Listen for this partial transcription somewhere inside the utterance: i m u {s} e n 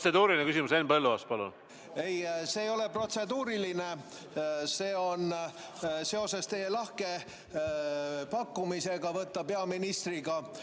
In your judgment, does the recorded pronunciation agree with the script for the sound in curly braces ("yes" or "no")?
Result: yes